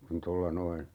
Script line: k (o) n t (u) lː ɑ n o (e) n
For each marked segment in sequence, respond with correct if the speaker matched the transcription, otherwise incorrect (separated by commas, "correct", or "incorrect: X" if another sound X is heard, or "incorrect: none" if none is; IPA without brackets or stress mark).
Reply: incorrect: u, incorrect: o, incorrect: i